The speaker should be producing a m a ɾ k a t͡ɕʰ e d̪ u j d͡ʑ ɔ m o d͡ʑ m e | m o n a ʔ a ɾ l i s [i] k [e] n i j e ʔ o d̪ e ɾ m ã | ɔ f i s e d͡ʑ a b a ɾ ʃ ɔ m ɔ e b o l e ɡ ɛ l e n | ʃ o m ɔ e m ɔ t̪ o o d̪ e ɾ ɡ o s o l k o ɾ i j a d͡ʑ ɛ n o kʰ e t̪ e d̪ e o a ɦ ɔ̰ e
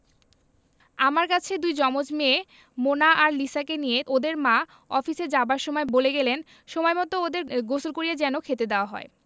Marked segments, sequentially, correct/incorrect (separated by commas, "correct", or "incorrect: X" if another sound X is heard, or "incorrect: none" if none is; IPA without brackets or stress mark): incorrect: a, correct